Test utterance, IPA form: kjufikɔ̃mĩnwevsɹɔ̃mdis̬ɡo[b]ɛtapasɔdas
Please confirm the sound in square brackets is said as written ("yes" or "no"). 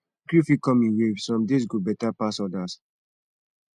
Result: yes